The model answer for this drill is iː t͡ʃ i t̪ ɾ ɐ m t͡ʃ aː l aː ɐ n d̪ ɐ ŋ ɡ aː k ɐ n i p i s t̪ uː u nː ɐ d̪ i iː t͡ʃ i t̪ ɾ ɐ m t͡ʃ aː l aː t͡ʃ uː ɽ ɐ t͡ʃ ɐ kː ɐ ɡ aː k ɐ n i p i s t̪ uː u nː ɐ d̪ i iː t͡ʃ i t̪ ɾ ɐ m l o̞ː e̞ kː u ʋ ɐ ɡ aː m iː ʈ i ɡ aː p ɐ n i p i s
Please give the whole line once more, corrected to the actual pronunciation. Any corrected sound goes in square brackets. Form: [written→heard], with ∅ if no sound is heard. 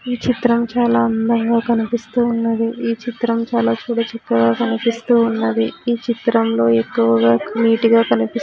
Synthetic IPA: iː t͡ʃ i t̪ ɾ ɐ m t͡ʃ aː l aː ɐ n d̪ ɐ ŋ ɡ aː k ɐ n i p i s t̪ uː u nː ɐ d̪ i iː t͡ʃ i t̪ ɾ ɐ m t͡ʃ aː l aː t͡ʃ uː ɽ ɐ t͡ʃ ɐ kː ɐ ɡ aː k ɐ n i p i s t̪ uː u nː ɐ d̪ i iː t͡ʃ i t̪ ɾ ɐ m l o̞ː e̞ kː u ʋ ɐ ɡ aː m iː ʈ i ɡ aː [p→k] ɐ n i p i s

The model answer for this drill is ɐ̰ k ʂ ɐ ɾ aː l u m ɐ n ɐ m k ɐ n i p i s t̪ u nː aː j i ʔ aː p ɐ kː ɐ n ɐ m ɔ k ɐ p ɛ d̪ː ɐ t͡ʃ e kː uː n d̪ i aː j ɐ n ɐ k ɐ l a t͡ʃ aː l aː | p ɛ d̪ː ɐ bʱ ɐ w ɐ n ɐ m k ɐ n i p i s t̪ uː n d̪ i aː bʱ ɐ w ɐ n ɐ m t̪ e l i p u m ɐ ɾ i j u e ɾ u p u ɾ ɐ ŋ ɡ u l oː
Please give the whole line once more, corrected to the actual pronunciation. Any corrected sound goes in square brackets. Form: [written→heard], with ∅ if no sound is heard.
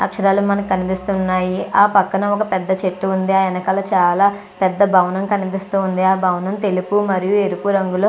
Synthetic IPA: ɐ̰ k ʂ ɐ ɾ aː l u m ɐ n ɐ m k ɐ n i p i s t̪ u nː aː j i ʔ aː p ɐ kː ɐ n ɐ m ɔ k ɐ p ɛ d̪ː ɐ t͡ʃ e [kː→ʈː] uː n d̪ i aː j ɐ n ɐ k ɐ l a t͡ʃ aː l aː | p ɛ d̪ː ɐ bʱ ɐ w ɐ n ɐ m k ɐ n i p i s t̪ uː n d̪ i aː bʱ ɐ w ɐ n ɐ m t̪ e l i p u m ɐ ɾ i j u e ɾ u p u ɾ ɐ ŋ ɡ u l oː

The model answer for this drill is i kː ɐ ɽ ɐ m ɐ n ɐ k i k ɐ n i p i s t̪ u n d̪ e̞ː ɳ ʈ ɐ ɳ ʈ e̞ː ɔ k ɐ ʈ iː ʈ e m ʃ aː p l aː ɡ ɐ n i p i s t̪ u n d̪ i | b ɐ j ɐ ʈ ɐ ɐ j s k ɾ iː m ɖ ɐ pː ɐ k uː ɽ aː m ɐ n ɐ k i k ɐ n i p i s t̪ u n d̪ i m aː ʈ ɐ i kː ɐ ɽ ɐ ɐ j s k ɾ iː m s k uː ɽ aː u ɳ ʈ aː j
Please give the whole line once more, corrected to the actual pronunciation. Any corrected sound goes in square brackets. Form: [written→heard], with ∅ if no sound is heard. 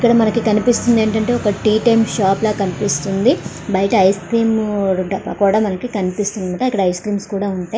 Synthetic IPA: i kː ɐ ɽ ɐ m ɐ n ɐ k i k ɐ n i p i s t̪ u n d̪ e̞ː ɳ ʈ ɐ ɳ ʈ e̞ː ɔ k ɐ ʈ iː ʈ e m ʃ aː p l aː [ɡ→k] ɐ n i p i s t̪ u n d̪ i | b ɐ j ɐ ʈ ɐ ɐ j s k ɾ iː m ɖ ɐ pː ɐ k uː ɽ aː m ɐ n ɐ k i k ɐ n i p i s t̪ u n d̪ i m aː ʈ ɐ i kː ɐ ɽ ɐ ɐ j s k ɾ iː m s k uː ɽ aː u ɳ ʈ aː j

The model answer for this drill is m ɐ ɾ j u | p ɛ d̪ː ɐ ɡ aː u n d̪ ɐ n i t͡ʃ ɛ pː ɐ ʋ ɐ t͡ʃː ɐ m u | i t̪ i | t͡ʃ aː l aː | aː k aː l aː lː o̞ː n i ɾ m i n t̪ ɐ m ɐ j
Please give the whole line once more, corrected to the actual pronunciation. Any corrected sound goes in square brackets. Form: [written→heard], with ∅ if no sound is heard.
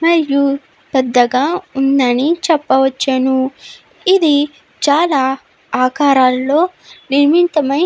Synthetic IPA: m ɐ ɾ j u | p ɛ d̪ː ɐ ɡ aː u n d̪ ɐ n i t͡ʃ ɛ pː ɐ ʋ ɐ t͡ʃː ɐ [m→n] u | i [t̪→d̪] i | t͡ʃ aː l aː | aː k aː [l→ɾ] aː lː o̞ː n i ɾ m i n t̪ ɐ m ɐ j

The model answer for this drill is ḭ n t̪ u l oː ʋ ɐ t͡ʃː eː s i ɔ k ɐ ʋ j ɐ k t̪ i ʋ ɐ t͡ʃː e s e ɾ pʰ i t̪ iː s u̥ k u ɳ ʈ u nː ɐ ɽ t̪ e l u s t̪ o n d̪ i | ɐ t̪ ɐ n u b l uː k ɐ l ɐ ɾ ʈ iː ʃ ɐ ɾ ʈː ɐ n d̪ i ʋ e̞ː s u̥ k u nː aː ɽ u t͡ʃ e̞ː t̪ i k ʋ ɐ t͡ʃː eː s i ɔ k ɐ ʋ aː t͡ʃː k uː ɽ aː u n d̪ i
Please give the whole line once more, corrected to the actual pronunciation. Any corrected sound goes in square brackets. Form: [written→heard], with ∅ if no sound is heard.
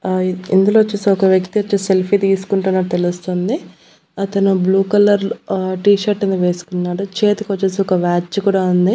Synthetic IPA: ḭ n [t̪→d̪] u l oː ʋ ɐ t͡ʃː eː s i ɔ k ɐ ʋ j ɐ k t̪ i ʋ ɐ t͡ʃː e s e [ɾ→l] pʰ i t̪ iː s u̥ k u ɳ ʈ u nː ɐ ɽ t̪ e l u s t̪ o n d̪ i | ɐ t̪ ɐ n u b l uː k ɐ l ɐ ɾ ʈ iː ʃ ɐ ɾ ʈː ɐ n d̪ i ʋ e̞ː s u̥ k u nː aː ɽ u t͡ʃ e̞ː t̪ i k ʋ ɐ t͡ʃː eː s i ɔ k ɐ ʋ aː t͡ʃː k uː ɽ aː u n d̪ i

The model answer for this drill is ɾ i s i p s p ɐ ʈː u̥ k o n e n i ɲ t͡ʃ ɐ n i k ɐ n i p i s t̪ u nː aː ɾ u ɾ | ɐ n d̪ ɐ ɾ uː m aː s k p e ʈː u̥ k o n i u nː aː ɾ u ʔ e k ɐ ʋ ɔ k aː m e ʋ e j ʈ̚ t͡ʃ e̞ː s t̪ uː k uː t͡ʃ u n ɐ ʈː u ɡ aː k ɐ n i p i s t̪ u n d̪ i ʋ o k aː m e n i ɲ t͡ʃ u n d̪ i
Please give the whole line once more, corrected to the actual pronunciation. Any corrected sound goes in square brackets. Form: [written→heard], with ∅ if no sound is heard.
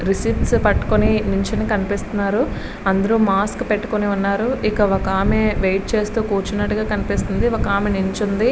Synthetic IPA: ɾ i s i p s p ɐ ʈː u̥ k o n [e→i] n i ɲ t͡ʃ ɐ n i k ɐ n i p i s t̪ u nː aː ɾ u [ɾ→∅] | ɐ n d̪ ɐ ɾ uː m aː s k p e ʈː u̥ k o n i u nː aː ɾ u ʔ [e→i] k ɐ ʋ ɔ k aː m e ʋ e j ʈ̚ t͡ʃ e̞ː s t̪ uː k uː t͡ʃ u n ɐ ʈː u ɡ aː k ɐ n i p i s t̪ u n d̪ i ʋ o k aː m e n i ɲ t͡ʃ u n d̪ i

